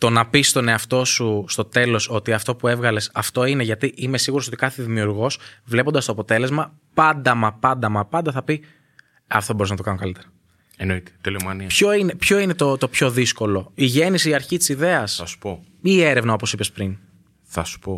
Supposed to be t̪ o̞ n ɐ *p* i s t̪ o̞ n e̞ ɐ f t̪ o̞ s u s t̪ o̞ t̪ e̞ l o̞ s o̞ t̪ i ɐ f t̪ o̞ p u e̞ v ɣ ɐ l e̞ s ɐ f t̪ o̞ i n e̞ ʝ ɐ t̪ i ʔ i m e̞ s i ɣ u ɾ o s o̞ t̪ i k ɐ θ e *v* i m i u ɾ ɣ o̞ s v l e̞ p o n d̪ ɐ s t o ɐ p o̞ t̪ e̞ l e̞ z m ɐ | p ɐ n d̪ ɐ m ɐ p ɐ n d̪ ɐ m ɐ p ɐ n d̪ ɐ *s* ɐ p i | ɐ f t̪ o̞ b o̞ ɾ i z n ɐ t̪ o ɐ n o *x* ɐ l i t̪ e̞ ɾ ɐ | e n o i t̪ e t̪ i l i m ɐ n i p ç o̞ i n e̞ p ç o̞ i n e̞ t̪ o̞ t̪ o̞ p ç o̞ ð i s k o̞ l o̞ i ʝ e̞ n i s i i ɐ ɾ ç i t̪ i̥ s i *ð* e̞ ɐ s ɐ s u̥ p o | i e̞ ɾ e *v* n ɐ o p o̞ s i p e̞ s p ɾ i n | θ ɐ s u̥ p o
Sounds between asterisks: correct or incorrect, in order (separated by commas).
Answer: correct, incorrect, incorrect, incorrect, correct, correct